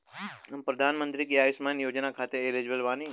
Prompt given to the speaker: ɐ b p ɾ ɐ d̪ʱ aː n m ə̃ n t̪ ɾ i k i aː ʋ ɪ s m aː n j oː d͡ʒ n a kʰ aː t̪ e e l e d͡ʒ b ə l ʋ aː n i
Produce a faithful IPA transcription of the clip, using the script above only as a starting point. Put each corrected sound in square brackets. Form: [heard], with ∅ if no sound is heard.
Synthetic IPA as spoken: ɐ [m] p ɾ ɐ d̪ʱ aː n m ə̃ n t̪ ɾ i k i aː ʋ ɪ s m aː n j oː d͡ʒ n a kʰ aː t̪ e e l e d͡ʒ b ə l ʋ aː n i